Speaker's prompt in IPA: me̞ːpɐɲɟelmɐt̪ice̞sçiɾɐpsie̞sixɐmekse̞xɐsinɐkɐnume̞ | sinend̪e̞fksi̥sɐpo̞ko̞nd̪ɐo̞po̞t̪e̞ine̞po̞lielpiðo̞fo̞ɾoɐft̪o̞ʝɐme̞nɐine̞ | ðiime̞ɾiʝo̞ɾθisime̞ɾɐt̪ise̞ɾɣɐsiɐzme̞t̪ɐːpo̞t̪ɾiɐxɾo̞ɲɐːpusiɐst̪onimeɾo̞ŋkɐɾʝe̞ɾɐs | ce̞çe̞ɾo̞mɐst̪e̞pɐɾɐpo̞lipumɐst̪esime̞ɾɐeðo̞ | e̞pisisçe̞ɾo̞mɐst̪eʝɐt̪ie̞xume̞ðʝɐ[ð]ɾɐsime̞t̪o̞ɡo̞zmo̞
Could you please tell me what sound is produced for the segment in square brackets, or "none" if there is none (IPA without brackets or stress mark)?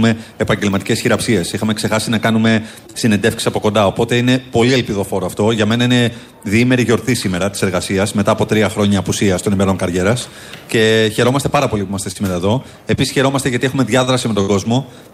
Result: ð